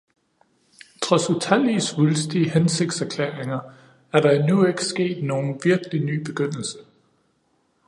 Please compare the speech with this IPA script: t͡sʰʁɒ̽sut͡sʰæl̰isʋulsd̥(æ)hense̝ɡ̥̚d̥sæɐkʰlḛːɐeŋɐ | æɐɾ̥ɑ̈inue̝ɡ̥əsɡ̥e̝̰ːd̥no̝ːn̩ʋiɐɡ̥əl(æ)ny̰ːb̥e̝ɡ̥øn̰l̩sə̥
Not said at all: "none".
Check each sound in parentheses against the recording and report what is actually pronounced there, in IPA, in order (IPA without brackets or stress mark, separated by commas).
i, i